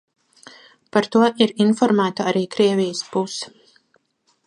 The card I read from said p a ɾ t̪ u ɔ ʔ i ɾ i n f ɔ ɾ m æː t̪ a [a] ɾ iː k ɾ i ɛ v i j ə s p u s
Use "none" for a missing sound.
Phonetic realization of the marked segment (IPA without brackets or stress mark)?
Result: a